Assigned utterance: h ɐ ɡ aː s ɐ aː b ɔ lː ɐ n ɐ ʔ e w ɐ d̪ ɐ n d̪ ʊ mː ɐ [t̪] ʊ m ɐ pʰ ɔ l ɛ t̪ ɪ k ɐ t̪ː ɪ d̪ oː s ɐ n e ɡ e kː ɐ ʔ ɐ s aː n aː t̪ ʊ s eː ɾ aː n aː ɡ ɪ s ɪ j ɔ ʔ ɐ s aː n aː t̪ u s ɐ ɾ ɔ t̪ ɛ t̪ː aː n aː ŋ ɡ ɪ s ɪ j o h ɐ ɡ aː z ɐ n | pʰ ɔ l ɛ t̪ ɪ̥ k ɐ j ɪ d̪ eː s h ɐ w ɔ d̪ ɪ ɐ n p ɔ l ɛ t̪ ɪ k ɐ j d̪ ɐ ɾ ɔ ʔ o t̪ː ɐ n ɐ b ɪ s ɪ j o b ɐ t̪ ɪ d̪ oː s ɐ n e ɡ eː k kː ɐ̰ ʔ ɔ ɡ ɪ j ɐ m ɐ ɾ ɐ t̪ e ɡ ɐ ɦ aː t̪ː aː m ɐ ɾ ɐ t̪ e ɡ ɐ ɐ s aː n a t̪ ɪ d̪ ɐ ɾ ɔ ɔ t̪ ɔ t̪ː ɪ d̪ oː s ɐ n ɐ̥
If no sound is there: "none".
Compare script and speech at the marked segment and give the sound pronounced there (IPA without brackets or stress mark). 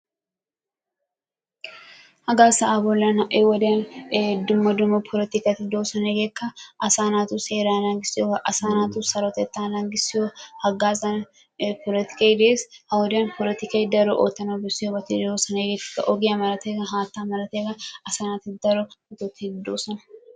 d̪